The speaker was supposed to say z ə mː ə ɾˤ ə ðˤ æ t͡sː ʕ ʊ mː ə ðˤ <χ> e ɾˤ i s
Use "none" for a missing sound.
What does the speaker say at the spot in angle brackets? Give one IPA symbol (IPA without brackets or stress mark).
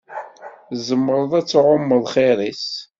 χ